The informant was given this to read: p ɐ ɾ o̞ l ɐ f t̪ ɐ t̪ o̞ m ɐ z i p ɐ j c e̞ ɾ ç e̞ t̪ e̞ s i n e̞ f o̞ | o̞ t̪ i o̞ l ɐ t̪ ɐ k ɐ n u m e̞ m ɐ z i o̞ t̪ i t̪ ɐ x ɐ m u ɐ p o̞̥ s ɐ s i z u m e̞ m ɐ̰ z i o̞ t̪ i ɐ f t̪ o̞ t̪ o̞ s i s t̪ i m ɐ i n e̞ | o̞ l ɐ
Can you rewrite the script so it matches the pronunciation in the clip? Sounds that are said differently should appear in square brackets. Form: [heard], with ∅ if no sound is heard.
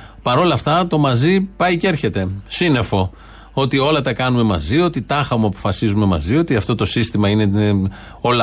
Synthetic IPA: p ɐ ɾ o̞ l ɐ f t̪ ɐ t̪ o̞ m ɐ z i p ɐ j c e̞ ɾ ç e̞ t̪ e̞ s i n e̞ f o̞ | o̞ t̪ i o̞ l ɐ t̪ ɐ k ɐ n u m e̞ m ɐ z i o̞ t̪ i t̪ ɐ x ɐ m u ɐ p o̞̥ [f] ɐ s i z u m e̞ m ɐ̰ z i o̞ t̪ i ɐ f t̪ o̞ t̪ o̞ s i s t̪ i m ɐ i n e̞ | o̞ l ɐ